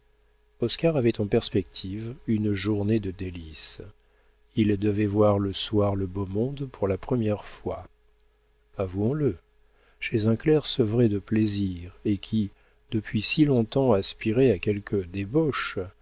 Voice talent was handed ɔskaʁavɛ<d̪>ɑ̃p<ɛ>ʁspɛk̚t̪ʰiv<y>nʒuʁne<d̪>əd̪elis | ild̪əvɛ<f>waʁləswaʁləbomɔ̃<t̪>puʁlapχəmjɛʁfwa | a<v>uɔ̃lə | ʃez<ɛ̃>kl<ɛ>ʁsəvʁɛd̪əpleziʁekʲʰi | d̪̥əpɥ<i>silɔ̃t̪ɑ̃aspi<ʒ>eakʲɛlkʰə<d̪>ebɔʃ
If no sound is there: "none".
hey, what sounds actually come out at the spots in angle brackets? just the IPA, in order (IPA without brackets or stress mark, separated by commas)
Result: t̪, ɛ, y, d̪, v, d̪, v, ɛ̃, ɛ, i, ʁ, d̪